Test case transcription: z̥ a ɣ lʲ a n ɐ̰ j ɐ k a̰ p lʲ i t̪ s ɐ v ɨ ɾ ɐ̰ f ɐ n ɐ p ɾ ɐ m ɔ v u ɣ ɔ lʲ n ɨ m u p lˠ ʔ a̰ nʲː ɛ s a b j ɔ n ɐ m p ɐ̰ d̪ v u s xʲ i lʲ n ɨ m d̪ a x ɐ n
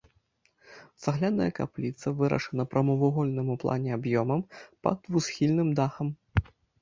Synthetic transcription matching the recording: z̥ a ɣ lʲ a n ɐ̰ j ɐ k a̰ p lʲ i t̪ s ɐ v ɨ ɾ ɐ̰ ʂ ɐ n ɐ p ɾ ɐ m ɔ v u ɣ ɔ lʲ n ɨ m u p lˠ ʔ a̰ nʲ ɛ a b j ɔ m ɐ m p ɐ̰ d̪ v u s xʲ i lʲ n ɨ m d̪ a x ɐ m

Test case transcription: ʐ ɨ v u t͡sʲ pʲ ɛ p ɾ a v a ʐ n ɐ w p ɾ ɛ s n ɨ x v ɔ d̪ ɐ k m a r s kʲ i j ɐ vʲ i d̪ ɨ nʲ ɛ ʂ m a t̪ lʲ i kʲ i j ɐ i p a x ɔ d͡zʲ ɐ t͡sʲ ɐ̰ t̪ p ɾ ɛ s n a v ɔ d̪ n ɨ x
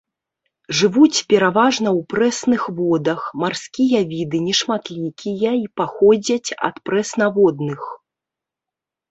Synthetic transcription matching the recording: ʐ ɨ v u t͡sʲ pʲ ɛ ɾ a v a ʐ n ɐ w p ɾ ɛ s n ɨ x v ɔ d̪ ɐ x m a r s kʲ i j ɐ vʲ i d̪ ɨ nʲ ɛ ʂ m a t̪ lʲ i kʲ i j ɐ i p a x ɔ d͡zʲ ɐ t͡sʲ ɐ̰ t̪ p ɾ ɛ s n a v ɔ d̪ n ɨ x

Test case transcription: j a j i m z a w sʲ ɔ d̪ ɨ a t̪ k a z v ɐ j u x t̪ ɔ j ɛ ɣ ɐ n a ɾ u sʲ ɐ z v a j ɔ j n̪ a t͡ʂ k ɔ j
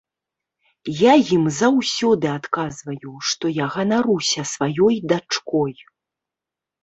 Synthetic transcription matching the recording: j a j i m z a w sʲ ɔ d̪ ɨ a t̪ k a z v ɐ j u ʂ t̪ ɔ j a ɣ ɐ n a ɾ u sʲ ɐ s v a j ɔ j d̪ a t͡ʂ k ɔ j

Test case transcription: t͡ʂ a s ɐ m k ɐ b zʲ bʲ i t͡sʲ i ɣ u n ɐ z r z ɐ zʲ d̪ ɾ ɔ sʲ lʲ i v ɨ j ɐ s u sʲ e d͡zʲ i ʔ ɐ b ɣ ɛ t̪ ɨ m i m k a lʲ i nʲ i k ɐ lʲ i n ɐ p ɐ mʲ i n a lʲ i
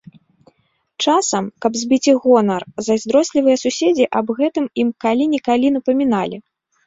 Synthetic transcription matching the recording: t͡ʂ a s ɐ m k ɐ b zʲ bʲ i t͡sʲ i ɣ ɔ n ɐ r z ɐ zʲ d̪ ɾ ɔ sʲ lʲ i v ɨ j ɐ s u sʲ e d͡zʲ i ʔ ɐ b ɣ ɛ t̪ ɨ m i m k a lʲ i nʲ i k a lʲ i n ɐ p ɐ mʲ i n a lʲ i

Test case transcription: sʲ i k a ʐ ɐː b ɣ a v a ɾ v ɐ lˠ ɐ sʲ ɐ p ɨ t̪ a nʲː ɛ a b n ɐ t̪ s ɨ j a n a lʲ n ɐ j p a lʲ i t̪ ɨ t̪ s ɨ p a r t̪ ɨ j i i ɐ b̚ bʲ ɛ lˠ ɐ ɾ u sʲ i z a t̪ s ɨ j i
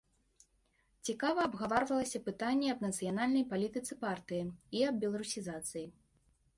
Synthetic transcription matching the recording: t͡sʲ i k a v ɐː b ɣ a v a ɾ v ɐ lˠ ɐ sʲ ɐ p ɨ t̪ a nʲː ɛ ɐ b n ɐ t̪ s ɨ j a n a lʲ n ɐ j p a lʲ i t̪ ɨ t̪ s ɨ p a r t̪ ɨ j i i ɐ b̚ bʲ ɛ lˠ ɐ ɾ u sʲ i z a t̪ s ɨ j i

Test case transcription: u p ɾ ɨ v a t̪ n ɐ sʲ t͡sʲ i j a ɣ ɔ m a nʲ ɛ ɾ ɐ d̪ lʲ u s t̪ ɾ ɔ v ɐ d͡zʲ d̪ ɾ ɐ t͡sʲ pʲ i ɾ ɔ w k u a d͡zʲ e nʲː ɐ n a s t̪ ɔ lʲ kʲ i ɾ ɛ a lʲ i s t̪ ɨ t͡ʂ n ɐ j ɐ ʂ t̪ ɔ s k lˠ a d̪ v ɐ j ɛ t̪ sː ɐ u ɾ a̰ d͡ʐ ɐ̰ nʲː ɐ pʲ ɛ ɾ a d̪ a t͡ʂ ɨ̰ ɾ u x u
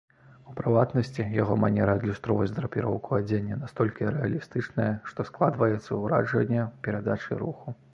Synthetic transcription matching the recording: u p ɾ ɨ v a t̪ n ɐ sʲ t͡sʲ i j a ɣ ɔ m a nʲ ɛ ɾ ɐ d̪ lʲ u s t̪ ɾ ɔ v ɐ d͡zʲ d̪ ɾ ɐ pʲ i ɾ ɔ w k u a d͡zʲ e nʲː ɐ n a s t̪ ɔ lʲ kʲ i ɾ ɛ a lʲ i s t̪ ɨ t͡ʂ n ɐ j ɐ ʂ t̪ ɔ s k lˠ a d̪ v ɐ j ɛ t̪ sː ɐ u ɾ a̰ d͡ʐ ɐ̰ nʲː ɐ pʲ ɛ ɾ a d̪ a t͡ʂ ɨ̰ ɾ u x u

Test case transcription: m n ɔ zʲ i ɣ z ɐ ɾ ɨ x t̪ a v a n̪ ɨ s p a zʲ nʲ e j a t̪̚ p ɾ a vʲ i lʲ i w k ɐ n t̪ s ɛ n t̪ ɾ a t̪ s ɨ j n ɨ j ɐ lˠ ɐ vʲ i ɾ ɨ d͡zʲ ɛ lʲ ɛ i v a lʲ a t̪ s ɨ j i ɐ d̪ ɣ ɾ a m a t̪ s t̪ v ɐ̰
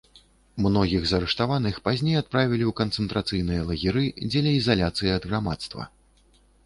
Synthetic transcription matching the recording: m n ɔ ɣʲ i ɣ z ɐ ɾ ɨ ʂ t̪ a v a n̪ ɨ x p a zʲ nʲ e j a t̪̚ p ɾ a vʲ i lʲ i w k ɐ n t̪ s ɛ n t̪ ɾ a t̪ s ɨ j n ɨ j ɐ lˠ ɐ ɣʲ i ɾ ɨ d͡zʲ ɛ lʲ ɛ i z a lʲ a t̪ s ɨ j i ɐ d̪ ɣ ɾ a m a t̪ s t̪ v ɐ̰

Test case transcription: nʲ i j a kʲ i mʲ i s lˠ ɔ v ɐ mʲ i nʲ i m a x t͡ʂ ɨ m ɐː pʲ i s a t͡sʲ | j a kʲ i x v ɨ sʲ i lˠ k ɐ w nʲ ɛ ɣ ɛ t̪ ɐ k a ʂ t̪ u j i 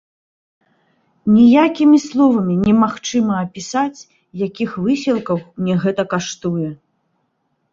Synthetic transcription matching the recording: nʲ i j a kʲ i mʲ i s lˠ ɔ v ɐ mʲ i nʲ ɛ m a x t͡ʂ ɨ m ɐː pʲ i s a t͡sʲ | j a kʲ i x v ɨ sʲ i lˠ k ɐ w nʲ ɛ ɣ ɛ t̪ ɐ k a ʂ t̪ u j ɛ

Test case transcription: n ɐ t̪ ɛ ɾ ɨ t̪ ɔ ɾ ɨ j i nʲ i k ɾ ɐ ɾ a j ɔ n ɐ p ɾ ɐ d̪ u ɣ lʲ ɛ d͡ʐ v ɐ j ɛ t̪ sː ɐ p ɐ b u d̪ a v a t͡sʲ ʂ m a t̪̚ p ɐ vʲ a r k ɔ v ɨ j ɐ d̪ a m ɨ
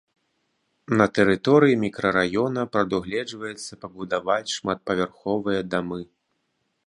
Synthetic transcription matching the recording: n ɐ t̪ ɛ ɾ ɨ t̪ ɔ ɾ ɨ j i mʲ i k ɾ ɐ ɾ a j ɔ n ɐ p ɾ ɐ d̪ u ɣ lʲ ɛ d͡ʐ v ɐ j ɛ t̪ sː ɐ p ɐ b u d̪ a v a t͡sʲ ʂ m a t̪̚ p ɐ vʲ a r x ɔ v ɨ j ɐ d̪ a m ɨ

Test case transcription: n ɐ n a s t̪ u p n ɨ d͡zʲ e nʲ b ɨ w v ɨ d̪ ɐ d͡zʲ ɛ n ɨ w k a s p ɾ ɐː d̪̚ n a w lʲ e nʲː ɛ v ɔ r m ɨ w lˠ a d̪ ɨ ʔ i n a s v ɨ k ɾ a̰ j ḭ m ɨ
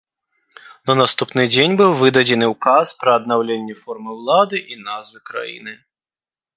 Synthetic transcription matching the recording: n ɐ n a s t̪ u p n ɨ d͡zʲ e nʲ b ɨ w v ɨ d̪ ɐ d͡zʲ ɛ n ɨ w k a s p ɾ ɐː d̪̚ n a w lʲ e nʲː ɛ f ɔ r m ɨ w lˠ a d̪ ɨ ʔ i n a z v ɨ k ɾ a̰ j ḭ n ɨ

